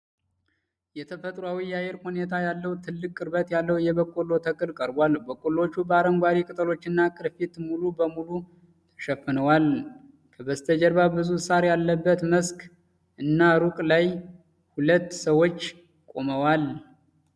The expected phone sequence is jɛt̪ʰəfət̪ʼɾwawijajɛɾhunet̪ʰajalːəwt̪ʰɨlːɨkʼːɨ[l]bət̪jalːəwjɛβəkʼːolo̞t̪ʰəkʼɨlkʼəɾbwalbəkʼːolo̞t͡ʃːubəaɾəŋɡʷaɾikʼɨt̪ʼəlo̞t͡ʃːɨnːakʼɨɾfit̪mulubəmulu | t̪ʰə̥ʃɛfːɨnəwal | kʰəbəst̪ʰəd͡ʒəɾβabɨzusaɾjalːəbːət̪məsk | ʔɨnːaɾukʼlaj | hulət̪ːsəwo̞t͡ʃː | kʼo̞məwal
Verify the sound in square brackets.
incorrect: ɾ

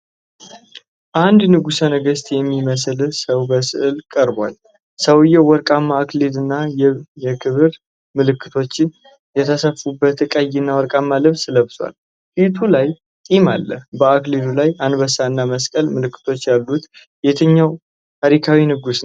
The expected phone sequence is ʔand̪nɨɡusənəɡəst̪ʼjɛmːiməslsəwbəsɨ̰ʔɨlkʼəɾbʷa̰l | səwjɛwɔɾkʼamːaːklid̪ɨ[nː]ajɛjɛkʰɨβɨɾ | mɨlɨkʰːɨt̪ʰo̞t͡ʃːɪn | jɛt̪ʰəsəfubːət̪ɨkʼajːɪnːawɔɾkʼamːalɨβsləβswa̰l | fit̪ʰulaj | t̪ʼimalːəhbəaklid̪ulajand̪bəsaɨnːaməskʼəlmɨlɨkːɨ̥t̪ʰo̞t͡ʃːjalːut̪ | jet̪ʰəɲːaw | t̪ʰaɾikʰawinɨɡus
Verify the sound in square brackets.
correct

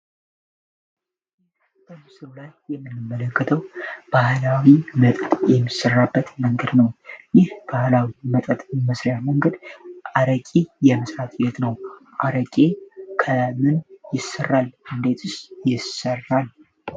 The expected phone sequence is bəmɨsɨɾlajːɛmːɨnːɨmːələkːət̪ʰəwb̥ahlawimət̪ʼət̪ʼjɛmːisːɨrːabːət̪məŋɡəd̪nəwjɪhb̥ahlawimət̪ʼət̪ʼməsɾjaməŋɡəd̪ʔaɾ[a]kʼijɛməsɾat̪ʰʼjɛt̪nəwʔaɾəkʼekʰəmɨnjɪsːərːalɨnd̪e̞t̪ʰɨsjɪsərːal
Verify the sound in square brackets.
incorrect: ə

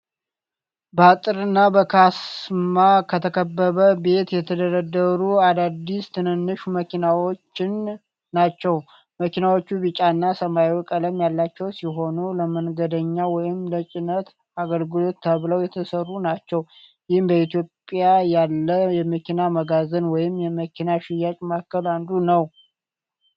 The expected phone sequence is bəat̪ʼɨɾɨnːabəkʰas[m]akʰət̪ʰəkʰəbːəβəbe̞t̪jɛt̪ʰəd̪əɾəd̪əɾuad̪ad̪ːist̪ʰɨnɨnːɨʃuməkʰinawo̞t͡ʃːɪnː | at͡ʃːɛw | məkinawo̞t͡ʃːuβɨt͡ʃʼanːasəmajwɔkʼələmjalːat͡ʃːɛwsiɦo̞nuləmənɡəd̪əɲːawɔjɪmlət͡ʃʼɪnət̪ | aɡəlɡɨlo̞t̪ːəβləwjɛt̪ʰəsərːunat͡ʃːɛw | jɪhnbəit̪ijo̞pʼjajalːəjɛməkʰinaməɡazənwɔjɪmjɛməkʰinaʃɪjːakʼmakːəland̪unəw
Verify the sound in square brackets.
correct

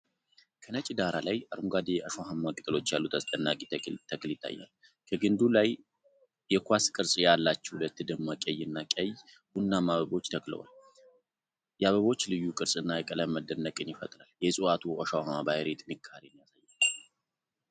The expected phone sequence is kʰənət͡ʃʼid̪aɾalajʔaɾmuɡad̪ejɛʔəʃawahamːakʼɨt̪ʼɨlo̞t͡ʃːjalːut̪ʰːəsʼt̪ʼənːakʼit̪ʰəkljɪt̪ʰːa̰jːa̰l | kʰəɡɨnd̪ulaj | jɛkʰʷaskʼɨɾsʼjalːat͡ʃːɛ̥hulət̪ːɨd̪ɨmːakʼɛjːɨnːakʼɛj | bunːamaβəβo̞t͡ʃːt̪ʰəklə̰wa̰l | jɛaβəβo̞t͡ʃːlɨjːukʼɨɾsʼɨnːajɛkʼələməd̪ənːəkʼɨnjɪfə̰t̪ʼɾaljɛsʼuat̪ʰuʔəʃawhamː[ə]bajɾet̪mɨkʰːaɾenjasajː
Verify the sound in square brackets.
incorrect: a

